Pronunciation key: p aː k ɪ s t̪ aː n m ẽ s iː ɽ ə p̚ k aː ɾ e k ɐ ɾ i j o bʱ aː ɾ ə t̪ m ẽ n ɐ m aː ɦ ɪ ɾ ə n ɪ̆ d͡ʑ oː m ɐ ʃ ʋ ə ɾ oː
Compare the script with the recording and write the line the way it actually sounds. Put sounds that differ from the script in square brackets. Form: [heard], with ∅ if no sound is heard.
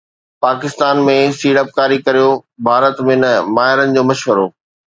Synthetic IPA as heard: p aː k ɪ s t̪ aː n m ẽ s iː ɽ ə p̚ k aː ɾ [i] k ɐ ɾ i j o bʱ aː ɾ ə t̪ m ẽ n ɐ m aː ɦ ɪ ɾ ə n ɪ̆ d͡ʑ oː m ɐ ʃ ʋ ə ɾ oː

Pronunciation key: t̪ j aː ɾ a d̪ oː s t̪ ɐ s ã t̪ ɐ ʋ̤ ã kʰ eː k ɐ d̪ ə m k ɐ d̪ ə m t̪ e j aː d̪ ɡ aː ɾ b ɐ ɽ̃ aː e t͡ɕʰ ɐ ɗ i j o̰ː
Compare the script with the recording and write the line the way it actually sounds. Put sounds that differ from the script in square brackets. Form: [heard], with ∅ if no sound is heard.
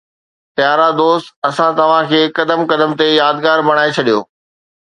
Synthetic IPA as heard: t̪ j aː ɾ a d̪ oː s t̪ ɐ s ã t̪ ɐ ʋ̤ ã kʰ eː k ɐ d̪ ə m k ɐ d̪ ə m t̪ e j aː d̪ ɡ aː ɾ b ɐ ɽ̃ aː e t͡ɕʰ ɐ ɗ i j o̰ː

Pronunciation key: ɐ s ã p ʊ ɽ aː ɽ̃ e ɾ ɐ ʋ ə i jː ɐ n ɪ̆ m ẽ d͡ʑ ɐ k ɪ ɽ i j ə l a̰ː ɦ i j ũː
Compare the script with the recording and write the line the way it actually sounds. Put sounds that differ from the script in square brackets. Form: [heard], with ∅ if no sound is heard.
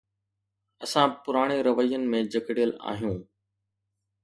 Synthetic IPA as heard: ɐ s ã p ʊ [ɾ] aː ɽ̃ e ɾ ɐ ʋ ə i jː [ə] n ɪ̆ m ẽ d͡ʑ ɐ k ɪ ɽ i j ə l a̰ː ɦ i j ũː

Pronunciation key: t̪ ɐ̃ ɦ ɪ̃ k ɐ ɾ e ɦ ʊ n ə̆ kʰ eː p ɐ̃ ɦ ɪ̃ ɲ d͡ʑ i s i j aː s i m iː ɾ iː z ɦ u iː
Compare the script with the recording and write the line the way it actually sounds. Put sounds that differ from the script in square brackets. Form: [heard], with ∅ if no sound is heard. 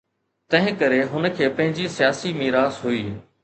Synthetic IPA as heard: t̪ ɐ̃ ɦ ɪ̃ k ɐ ɾ e ɦ ʊ n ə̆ kʰ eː p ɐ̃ ɦ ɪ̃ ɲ d͡ʑ i s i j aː s i m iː ɾ [aː] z ɦ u iː

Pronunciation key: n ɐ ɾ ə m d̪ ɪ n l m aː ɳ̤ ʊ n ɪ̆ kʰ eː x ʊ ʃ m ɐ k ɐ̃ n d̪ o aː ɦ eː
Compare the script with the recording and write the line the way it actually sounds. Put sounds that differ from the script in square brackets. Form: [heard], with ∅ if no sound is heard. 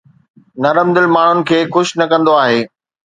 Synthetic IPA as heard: n ɐ ɾ ə m d̪ ɪ [∅] l m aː ɳ̤ ʊ n ɪ̆ kʰ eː x ʊ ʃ [n] ɐ k ɐ̃ n d̪ o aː ɦ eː

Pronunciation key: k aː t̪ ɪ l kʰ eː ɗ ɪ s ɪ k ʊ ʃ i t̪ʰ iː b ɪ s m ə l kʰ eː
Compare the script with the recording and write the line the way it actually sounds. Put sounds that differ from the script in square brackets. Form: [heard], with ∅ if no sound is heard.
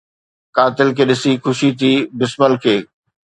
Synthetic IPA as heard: k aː t̪ ɪ l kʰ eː ɗ ɪ s [i] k ʊ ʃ i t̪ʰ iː b ɪ s m ə l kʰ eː

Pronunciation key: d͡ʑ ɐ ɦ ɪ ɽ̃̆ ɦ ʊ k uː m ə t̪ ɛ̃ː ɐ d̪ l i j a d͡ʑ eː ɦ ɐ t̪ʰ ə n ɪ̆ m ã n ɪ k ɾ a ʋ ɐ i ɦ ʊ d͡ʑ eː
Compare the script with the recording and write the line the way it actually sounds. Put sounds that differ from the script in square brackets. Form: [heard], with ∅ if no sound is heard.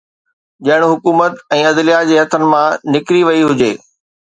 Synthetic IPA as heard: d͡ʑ ɐ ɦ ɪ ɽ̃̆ ɦ ʊ k uː m ə t̪ ɛ̃ː ɐ d̪ l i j a d͡ʑ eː ɦ ɐ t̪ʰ ə n ɪ̆ m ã n ɪ k ɾ [i] ʋ ɐ i ɦ ʊ d͡ʑ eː

